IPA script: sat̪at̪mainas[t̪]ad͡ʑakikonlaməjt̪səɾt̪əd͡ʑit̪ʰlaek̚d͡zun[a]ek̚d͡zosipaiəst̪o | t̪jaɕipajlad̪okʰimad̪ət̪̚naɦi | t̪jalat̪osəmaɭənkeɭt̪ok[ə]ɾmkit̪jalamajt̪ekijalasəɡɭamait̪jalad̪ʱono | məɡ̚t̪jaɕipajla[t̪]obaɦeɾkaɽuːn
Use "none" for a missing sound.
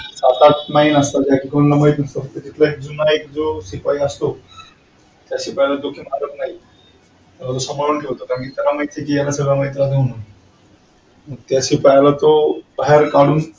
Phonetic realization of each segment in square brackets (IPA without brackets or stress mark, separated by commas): t̪, a, a, t̪